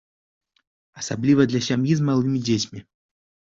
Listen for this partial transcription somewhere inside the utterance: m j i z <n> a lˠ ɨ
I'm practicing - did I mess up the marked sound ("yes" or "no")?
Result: yes